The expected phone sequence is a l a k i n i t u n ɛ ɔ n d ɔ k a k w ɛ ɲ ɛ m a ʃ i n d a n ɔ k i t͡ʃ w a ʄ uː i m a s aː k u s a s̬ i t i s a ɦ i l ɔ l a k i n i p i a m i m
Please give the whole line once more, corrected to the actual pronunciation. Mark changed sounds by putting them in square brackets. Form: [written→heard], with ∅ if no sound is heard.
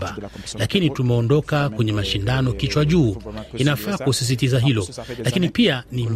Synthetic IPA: a l a k i n i t u [n→m] ɛ ɔ n d ɔ k a k w ɛ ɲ ɛ m a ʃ i n d a n ɔ k i t͡ʃ w a ʄ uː i [m→n] a [s→f] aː k u s [a→i] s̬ i t i [s→z] a ɦ i l ɔ l a k i n i p i a [m→n] i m